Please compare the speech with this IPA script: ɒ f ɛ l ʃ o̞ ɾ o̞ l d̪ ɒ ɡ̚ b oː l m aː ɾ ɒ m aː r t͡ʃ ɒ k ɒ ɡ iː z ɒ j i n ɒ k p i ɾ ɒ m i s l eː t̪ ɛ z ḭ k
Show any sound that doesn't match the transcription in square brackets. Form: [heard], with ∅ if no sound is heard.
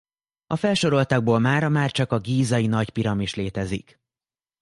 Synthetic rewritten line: ɒ f ɛ l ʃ o̞ ɾ o̞ l [t̪] ɒ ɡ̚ b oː l m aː ɾ ɒ m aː r t͡ʃ ɒ k ɒ ɡ iː z ɒ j i n ɒ [c] p i ɾ ɒ m i [ʃ] l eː t̪ ɛ z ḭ k